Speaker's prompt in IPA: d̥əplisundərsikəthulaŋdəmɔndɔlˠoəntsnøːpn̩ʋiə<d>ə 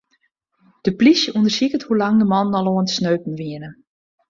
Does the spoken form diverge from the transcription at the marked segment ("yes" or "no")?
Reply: yes